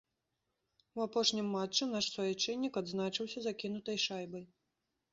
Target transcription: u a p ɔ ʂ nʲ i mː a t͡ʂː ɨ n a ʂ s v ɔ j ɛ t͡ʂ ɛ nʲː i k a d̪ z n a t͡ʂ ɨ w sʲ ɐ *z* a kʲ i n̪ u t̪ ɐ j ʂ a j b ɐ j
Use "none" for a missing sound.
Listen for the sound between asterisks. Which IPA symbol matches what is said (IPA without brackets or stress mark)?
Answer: z